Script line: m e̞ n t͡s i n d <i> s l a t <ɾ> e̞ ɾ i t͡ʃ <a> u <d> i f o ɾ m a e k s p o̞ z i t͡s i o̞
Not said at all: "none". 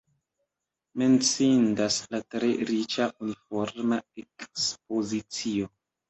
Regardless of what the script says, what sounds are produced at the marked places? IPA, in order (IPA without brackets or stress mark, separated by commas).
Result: a, ɾ, a, n